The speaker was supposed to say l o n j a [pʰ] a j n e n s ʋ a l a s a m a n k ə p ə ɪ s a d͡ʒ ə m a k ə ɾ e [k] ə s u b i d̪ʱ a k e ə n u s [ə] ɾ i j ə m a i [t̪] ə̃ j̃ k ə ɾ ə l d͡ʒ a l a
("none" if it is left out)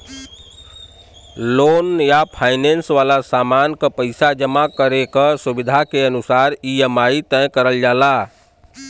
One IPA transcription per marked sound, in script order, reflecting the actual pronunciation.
pʰ, k, a, t̪

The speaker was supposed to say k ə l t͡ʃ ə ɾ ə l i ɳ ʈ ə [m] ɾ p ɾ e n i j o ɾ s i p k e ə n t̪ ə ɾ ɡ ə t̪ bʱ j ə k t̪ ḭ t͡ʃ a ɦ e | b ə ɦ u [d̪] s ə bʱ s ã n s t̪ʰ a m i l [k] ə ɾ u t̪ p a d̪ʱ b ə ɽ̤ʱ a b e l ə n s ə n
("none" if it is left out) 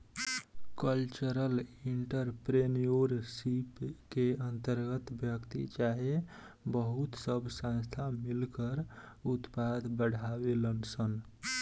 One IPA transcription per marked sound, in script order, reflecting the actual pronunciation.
none, t̪, k

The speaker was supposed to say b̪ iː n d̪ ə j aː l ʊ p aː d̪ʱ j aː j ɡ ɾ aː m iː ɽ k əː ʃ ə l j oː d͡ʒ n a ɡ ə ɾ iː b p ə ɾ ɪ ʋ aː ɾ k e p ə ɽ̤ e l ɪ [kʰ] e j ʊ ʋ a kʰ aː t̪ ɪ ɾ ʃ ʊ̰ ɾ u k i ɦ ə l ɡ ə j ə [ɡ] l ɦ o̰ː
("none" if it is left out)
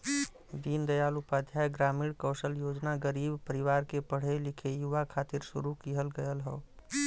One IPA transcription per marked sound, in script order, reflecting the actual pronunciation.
kʰ, none

